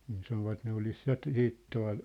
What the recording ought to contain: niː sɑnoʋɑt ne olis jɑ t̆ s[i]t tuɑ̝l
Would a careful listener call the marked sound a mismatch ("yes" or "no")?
yes